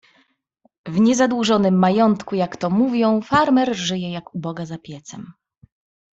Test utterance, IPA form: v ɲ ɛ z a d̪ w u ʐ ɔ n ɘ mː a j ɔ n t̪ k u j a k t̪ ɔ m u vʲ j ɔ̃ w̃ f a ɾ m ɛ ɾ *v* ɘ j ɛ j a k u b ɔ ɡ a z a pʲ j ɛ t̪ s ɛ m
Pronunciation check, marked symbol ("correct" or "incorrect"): incorrect